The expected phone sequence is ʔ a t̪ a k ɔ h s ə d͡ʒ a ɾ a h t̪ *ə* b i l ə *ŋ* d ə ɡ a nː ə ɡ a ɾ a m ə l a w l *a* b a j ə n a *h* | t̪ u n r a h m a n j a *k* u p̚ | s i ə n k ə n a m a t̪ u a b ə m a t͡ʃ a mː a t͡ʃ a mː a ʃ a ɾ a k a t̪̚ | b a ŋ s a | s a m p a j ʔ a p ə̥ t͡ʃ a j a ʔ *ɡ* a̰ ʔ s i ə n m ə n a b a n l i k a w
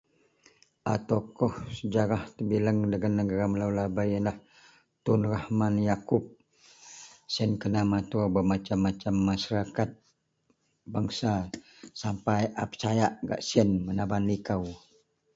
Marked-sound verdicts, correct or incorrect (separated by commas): correct, correct, correct, correct, correct, correct